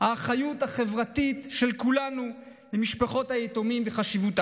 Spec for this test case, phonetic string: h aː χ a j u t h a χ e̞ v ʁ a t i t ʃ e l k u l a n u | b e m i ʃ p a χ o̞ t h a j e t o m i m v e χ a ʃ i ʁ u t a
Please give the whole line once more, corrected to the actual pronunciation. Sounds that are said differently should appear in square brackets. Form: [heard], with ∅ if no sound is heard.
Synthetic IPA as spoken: h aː χ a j u t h a χ e̞ v ʁ a t i t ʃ e l k u l a n u | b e m i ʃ p a χ o̞ t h a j e t o m i m v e χ a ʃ i [v] u t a